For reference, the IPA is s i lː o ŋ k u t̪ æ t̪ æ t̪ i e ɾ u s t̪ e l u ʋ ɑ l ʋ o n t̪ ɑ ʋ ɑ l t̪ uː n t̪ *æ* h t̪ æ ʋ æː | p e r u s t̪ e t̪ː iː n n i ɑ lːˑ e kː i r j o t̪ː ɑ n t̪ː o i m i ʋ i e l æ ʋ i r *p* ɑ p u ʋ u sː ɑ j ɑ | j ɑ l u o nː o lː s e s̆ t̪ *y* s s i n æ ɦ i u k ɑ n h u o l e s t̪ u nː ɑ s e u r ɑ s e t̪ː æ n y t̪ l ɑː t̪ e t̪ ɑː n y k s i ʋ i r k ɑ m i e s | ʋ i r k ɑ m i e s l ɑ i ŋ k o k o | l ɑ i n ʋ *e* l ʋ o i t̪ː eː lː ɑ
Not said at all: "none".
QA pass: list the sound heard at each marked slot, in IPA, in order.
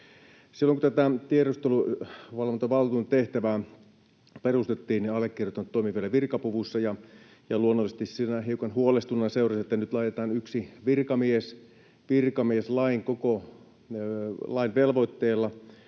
e, k, i, e

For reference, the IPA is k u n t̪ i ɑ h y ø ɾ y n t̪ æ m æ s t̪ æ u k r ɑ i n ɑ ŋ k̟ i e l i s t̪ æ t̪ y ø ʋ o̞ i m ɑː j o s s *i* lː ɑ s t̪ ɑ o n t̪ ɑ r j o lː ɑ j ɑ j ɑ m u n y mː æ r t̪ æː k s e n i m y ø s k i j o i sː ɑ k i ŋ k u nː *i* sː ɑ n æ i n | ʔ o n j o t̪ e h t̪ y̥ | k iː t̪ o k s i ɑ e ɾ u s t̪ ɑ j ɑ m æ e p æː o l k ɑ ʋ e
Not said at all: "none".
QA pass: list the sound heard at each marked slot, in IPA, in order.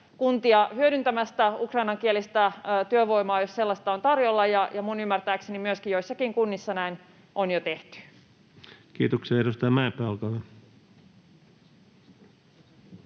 e, i

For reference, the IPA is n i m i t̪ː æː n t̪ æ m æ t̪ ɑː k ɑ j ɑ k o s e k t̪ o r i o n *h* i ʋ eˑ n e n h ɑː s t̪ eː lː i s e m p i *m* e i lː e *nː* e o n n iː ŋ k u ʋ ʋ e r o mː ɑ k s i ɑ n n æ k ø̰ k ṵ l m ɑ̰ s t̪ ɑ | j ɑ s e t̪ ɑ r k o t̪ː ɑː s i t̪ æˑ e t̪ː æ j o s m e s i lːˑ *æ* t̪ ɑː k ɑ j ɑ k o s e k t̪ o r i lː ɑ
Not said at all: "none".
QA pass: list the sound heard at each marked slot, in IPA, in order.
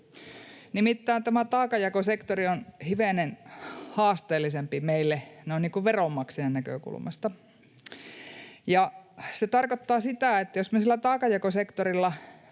h, m, n, æ

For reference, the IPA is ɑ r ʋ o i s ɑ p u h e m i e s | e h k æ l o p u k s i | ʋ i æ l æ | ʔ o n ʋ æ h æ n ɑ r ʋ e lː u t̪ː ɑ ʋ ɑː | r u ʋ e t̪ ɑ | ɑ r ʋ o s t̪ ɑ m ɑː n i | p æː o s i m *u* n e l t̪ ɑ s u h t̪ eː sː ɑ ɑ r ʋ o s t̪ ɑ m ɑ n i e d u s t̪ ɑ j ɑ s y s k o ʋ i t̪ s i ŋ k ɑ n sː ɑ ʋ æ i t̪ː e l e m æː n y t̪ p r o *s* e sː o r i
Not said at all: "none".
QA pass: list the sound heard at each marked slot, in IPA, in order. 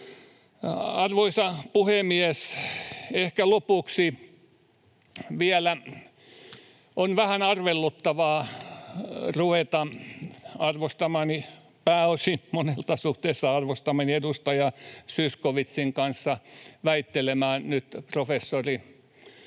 o, f

